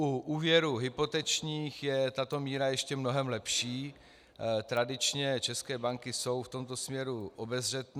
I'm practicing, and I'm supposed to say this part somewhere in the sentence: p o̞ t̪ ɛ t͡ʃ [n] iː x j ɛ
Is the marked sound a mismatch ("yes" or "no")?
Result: yes